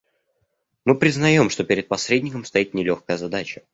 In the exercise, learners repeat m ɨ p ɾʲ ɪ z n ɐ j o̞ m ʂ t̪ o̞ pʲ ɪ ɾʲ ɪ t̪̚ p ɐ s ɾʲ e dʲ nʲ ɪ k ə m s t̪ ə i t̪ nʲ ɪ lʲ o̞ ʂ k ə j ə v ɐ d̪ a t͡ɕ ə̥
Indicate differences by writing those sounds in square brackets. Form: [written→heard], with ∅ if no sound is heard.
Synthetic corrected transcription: m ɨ p ɾʲ ɪ z n ɐ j o̞ m ʂ t̪ o̞ pʲ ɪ ɾʲ ɪ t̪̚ p ɐ s ɾʲ e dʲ nʲ ɪ k ə m s t̪ [ə→ɐ] i t̪ nʲ ɪ lʲ o̞ [ʂ→x] k ə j ə [v→z] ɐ d̪ a t͡ɕ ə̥

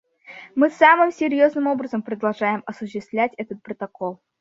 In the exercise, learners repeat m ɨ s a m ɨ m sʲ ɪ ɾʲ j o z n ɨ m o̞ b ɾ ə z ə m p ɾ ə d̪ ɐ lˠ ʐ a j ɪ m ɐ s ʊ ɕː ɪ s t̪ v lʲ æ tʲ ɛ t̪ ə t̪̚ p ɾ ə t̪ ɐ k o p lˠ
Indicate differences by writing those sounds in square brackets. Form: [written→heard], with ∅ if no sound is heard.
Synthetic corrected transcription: m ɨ s a m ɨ m sʲ ɪ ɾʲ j o z n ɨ m o̞ b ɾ ə z ə m p ɾ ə d̪ ɐ lˠ ʐ a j ɪ m ɐ s ʊ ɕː ɪ s t̪ v lʲ æ tʲ ɛ t̪ ə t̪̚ p ɾ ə t̪ ɐ k o [p→∅] lˠ

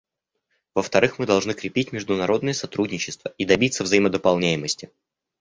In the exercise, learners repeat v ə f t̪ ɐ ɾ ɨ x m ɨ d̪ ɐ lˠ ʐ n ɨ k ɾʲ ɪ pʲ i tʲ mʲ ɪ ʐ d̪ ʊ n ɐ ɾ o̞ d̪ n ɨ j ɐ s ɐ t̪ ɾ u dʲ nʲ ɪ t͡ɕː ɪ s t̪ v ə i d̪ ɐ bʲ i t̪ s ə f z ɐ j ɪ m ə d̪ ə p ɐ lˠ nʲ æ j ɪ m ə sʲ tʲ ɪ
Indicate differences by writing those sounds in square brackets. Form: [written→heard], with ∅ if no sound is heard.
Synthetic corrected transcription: v ə f t̪ ɐ ɾ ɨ x m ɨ d̪ ɐ lˠ ʐ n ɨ k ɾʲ ɪ pʲ i tʲ mʲ ɪ ʐ d̪ ʊ n ɐ ɾ o̞ d̪ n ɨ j [ɐ→ə] s ɐ t̪ ɾ u dʲ nʲ ɪ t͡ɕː ɪ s t̪ v ə i d̪ ɐ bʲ i t̪ s ə [f→v] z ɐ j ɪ m ə d̪ ə p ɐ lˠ nʲ æ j ɪ m ə sʲ tʲ ɪ

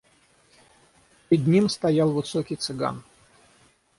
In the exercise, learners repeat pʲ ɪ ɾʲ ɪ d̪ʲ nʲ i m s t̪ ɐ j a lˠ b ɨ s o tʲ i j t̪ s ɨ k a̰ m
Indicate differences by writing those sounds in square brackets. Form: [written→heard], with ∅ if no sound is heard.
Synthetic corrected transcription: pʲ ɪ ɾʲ ɪ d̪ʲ nʲ i m s t̪ ɐ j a lˠ [b→v] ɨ s o [tʲ→kʲ] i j t̪ s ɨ [k→ɡ] a̰ [m→n]

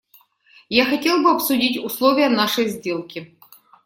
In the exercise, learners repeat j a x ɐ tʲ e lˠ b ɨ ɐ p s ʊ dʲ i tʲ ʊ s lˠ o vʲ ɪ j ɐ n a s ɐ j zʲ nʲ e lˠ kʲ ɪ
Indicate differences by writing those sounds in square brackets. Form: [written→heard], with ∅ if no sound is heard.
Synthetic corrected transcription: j a x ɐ tʲ e lˠ b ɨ ɐ p s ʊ dʲ i tʲ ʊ s lˠ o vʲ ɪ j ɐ n a [s→ʂ] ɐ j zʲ [nʲ→dʲ] e lˠ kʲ ɪ

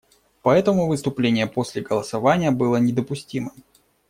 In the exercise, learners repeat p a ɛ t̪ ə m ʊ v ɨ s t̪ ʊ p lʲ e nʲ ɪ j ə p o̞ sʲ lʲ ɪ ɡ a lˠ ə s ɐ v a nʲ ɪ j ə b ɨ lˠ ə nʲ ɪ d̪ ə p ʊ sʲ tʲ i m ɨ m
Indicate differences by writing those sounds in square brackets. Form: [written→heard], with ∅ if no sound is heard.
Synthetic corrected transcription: p [a→ɐ] ɛ t̪ ə m ʊ v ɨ s t̪ ʊ p lʲ e nʲ ɪ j ə p o̞ sʲ lʲ ɪ ɡ [a→ə] lˠ ə s ɐ v a nʲ ɪ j ə b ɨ lˠ ə nʲ ɪ d̪ ə p ʊ sʲ tʲ i m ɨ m

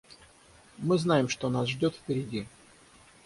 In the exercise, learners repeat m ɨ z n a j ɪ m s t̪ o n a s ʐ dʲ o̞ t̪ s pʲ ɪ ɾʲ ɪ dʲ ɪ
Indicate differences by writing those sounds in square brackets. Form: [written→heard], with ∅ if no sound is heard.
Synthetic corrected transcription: m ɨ z n a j ɪ m [s→ʂ] t̪ o n a s ʐ dʲ o̞ t̪ [s→f] pʲ ɪ ɾʲ ɪ dʲ [ɪ→i]

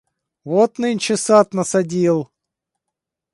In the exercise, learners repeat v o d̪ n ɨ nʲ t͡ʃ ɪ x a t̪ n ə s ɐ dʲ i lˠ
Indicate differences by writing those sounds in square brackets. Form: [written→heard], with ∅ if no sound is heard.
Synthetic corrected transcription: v o [d̪→t̪] n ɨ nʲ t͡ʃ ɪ [x→s] a t̪ n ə s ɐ dʲ i lˠ

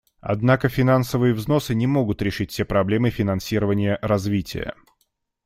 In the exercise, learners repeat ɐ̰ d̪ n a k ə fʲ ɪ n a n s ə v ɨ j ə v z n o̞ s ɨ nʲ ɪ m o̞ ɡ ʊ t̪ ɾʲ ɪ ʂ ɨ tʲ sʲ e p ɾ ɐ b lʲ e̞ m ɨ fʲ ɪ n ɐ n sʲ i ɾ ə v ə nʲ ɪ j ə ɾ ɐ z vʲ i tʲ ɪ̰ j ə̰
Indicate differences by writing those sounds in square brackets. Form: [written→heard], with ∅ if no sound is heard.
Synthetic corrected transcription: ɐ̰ d̪ n a k ə fʲ ɪ n a n s ə v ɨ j ə v z n o̞ s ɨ nʲ ɪ m o̞ ɡ ʊ t̪ ɾʲ ɪ ʂ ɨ tʲ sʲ e p ɾ ɐ b lʲ e̞ m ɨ fʲ ɪ n ɐ n sʲ i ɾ ə v ə nʲ ɪ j ə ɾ ɐ z vʲ i tʲ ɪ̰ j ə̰

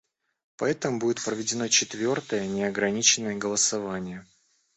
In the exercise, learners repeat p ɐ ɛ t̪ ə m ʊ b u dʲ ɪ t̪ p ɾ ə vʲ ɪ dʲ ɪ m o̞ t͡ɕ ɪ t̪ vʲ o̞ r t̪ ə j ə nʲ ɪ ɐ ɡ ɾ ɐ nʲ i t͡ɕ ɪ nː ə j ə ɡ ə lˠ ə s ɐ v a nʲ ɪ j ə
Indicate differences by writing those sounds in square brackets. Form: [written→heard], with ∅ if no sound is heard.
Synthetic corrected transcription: p ɐ ɛ t̪ ə m ʊ b u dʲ ɪ t̪ p ɾ ə vʲ ɪ dʲ ɪ [m→n] o̞ t͡ɕ ɪ t̪ vʲ o̞ r t̪ ə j ə nʲ ɪ ɐ ɡ ɾ ɐ nʲ i t͡ɕ ɪ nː ə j ə ɡ ə lˠ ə s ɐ v a nʲ ɪ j ə

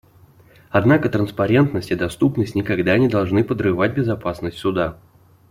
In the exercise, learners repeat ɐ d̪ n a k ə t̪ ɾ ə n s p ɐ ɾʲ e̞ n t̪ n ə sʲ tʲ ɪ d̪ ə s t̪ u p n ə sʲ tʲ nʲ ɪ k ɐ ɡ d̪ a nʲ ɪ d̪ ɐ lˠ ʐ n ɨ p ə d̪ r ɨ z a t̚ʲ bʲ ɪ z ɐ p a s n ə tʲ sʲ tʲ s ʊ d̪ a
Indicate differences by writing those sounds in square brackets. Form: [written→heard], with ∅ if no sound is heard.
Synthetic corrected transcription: ɐ d̪ n a k ə t̪ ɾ ə n s p ɐ ɾʲ e̞ n t̪ n ə sʲ tʲ ɪ d̪ [ə→ɐ] s t̪ u p n ə sʲ tʲ nʲ ɪ k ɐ ɡ d̪ a nʲ ɪ d̪ ɐ lˠ ʐ n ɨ p ə d̪ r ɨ [z→v] a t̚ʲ bʲ ɪ z ɐ p a s n ə [tʲ→∅] sʲ tʲ s ʊ d̪ a

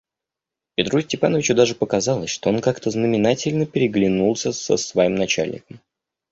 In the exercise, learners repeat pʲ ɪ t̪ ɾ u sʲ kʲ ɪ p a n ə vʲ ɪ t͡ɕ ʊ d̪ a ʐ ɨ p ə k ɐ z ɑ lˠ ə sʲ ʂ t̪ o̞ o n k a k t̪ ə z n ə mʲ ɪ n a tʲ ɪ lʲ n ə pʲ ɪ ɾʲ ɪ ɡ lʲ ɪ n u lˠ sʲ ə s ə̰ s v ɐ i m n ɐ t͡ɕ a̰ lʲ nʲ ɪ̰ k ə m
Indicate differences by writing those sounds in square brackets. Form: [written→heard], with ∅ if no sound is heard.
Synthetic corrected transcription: pʲ ɪ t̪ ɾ u sʲ [kʲ→tʲ] ɪ p a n ə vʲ ɪ t͡ɕ ʊ d̪ a ʐ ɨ p ə k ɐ z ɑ lˠ ə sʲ ʂ t̪ o̞ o n k a k t̪ ə z n ə mʲ ɪ n a tʲ ɪ lʲ n ə pʲ ɪ ɾʲ ɪ ɡ lʲ ɪ n u lˠ sʲ ə s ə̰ s v ɐ i m n ɐ t͡ɕ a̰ lʲ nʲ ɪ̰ k ə m

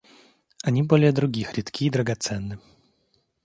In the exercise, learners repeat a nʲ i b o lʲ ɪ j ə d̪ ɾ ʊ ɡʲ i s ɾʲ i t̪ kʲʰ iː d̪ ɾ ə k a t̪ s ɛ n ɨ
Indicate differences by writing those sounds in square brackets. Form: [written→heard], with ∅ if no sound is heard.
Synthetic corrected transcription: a nʲ i b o lʲ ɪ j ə d̪ ɾ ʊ ɡʲ i [s→x] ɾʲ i t̪ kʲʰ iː d̪ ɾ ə [k→ɡ] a t̪ s ɛ [n→nː] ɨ

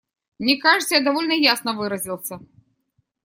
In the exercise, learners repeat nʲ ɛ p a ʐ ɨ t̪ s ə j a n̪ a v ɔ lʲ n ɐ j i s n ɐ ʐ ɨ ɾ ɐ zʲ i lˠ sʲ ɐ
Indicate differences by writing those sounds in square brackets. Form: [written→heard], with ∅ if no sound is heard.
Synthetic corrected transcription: nʲ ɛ [p→k] a ʐ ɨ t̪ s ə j a [n̪→d̪] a v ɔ lʲ n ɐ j [i→a] s n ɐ [ʐ→v] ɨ ɾ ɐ zʲ i lˠ sʲ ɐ

